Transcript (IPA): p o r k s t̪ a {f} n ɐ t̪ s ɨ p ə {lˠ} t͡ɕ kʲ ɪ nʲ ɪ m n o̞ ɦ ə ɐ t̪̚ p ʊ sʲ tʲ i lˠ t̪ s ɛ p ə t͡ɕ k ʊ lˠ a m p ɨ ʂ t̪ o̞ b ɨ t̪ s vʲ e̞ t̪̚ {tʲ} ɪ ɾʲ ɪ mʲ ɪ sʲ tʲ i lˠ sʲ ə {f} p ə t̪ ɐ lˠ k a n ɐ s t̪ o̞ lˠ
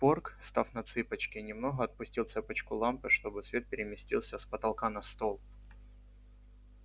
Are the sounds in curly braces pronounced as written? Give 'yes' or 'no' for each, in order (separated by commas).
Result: yes, no, no, no